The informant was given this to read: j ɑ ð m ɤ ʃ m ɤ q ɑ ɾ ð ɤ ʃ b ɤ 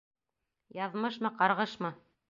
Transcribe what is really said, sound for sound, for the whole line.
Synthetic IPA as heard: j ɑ ð m ɤ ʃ m ɤ q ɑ ɾ ʁ ɤ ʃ m ɤ

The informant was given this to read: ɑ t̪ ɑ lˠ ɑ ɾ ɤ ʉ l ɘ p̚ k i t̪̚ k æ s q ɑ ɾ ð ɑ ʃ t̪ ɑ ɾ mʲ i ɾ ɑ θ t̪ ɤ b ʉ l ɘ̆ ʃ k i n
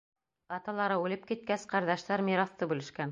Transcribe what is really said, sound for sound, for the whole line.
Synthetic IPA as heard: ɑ t̪ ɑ lˠ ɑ ɾ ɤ ʉ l ɘ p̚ k i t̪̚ k æ s q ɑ ɾ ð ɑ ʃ t̪ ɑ ɾ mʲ i ɾ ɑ θ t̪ ɤ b ʉ l ɘ̆ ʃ k æ n

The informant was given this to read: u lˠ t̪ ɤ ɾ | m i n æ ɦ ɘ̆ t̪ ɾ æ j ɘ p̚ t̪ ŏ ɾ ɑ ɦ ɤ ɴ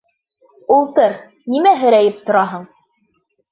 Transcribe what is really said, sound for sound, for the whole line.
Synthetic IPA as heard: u lˠ t̪ ɤ ɾ | n i m æ ɦ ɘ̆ ɾ æ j ɘ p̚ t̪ ŏ ɾ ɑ ɦ ɤ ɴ

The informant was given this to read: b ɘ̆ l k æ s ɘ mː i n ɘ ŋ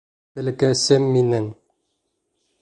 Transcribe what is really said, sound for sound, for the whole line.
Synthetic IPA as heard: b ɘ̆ l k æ s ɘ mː i n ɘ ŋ

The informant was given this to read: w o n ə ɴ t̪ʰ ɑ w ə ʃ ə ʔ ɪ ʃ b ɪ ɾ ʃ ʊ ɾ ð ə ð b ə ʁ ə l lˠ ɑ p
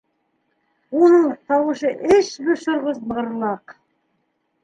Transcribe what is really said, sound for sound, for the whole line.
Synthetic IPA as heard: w o n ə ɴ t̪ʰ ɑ w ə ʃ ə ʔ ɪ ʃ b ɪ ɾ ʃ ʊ ɾ ʁ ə z b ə ʁ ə ɾ lˠ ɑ q

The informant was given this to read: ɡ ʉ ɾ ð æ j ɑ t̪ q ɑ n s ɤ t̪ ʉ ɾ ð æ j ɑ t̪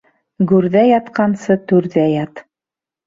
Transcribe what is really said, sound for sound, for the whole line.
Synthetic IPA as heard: ɡ ʉ ɾ ð æ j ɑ t̪ q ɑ n s ɤ t̪ ʉ ɾ ð æ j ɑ t̪

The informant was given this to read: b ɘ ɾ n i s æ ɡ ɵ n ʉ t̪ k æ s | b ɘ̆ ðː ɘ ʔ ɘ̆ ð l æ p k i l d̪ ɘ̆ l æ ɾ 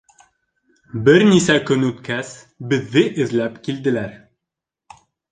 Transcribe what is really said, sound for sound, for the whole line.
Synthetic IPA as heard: b ɘ ɾ n i s æ k ɵ n ʉ t̪ k æ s | b ɘ̆ ðː ɘ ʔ ɘ̆ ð l æ p k i l d̪ ɘ̆ l æ ɾ

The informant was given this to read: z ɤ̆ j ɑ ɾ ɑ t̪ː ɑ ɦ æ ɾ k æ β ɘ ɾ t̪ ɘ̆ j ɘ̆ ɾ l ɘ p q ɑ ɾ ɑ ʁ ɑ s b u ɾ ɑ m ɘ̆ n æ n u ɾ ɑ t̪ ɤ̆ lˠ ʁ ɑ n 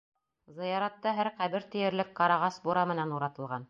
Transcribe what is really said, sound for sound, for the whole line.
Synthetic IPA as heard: z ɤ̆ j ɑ ɾ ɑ t̪ː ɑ ɦ æ ɾ q æ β ɘ ɾ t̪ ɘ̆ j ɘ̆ ɾ l ɘ k q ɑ ɾ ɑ ʁ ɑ s b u ɾ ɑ m ɘ̆ n æ n u ɾ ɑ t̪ ɤ̆ lˠ ʁ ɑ n

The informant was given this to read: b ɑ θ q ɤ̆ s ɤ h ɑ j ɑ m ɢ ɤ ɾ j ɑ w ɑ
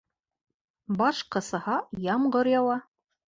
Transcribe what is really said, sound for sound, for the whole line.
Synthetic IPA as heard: b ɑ ʃ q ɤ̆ s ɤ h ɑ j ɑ m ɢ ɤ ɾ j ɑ w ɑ

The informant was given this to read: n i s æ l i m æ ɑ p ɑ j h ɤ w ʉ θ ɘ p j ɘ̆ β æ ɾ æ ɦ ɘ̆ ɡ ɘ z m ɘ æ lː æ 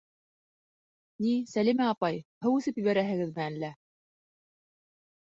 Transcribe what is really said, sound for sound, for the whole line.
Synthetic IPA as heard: n i s æ l i m æ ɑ p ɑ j h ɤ w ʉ θ ɘ p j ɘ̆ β æ ɾ æ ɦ ɘ̆ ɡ ɘ ð m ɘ æ lː æ

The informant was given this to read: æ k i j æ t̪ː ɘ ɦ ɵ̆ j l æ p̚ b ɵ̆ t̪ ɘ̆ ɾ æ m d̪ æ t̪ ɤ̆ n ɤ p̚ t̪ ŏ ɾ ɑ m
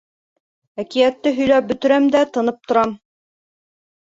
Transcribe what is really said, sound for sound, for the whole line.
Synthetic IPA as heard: æ k i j æ t̪ː ɘ ɦ ɵ̆ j l æ p̚ b ɵ̆ t̪ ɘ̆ ɾ æ m d̪ æ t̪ ɤ̆ n ɤ p̚ t̪ ŏ ɾ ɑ m

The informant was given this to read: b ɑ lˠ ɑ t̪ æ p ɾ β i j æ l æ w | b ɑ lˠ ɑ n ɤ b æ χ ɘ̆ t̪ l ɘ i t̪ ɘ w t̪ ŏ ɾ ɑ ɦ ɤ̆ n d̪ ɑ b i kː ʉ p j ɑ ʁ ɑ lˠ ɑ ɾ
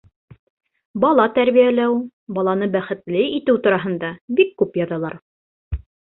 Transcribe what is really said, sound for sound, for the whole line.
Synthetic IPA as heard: b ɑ lˠ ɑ t̪ æ ɾ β i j æ l æ w | b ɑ lˠ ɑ n ɤ b æ χ ɘ̆ t̪ l ɘ i t̪ ɘ w t̪ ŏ ɾ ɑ ɦ ɤ̆ n d̪ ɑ b i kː ʉ p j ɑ ð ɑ lˠ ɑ ɾ

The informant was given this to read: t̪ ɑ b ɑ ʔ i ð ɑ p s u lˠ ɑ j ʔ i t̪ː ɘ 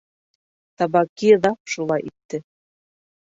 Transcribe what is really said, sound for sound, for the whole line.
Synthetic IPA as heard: t̪ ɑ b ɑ k i ð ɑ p ʃ u lˠ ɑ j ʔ i t̪ː ɘ

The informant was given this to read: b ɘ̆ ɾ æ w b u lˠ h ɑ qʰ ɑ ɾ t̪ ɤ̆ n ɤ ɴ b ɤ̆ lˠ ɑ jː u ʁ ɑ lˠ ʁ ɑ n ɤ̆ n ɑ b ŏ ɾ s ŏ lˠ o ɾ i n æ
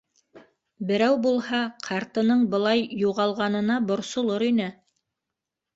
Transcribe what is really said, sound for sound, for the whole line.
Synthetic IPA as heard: b ɘ̆ ɾ æ w b u lˠ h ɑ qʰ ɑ ɾ t̪ ɤ̆ n ɤ ɴ b ɤ̆ lˠ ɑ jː u ʁ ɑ lˠ ʁ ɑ n ɤ̆ n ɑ b ŏ ɾ s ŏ lˠ o ɾ i n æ

